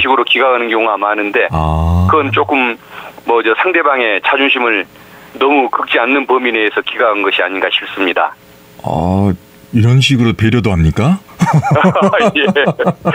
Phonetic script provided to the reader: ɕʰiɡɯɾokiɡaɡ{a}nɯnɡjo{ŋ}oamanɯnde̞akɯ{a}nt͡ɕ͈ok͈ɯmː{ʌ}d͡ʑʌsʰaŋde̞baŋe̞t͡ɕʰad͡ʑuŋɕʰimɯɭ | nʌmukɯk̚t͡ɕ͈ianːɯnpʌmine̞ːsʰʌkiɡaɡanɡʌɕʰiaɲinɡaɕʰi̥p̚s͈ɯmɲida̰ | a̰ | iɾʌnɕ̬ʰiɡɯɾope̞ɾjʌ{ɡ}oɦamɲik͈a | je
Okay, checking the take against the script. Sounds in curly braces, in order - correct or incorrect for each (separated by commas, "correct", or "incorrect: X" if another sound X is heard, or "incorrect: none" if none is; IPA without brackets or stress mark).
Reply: correct, correct, incorrect: ʌ, correct, incorrect: d